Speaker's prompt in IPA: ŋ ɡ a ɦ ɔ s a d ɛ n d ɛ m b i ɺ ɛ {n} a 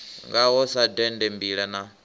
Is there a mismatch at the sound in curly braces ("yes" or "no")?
no